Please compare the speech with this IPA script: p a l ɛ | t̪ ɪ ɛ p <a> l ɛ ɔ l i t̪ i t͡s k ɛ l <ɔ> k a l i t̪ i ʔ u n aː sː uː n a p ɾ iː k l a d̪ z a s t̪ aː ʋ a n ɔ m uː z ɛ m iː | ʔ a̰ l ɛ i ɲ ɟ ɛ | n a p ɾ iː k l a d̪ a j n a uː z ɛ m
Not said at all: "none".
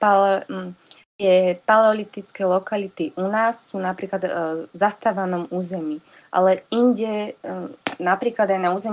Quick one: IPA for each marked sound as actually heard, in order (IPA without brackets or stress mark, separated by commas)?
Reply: a, ɔ